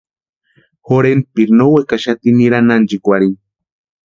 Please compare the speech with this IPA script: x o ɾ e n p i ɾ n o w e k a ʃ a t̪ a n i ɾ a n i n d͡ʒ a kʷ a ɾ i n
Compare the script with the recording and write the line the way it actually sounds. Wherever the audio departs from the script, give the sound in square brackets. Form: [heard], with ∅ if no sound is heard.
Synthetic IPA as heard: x o ɾ e n p i ɾ n o w e k a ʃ a t̪ [i] n i ɾ a n [a] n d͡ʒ [i] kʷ a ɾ i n